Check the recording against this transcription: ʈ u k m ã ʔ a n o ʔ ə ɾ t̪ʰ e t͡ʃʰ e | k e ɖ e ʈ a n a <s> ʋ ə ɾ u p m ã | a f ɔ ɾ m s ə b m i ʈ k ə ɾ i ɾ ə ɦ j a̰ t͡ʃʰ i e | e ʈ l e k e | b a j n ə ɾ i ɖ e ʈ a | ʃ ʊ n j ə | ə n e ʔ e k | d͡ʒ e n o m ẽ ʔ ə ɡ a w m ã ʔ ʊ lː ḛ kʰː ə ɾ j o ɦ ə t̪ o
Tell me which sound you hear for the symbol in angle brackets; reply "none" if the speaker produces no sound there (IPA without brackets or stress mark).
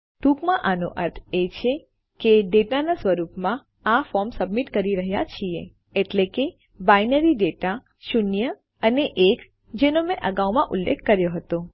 s